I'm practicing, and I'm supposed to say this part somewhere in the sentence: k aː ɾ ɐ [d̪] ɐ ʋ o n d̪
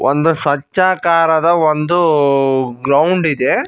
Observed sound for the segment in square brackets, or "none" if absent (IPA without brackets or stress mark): d̪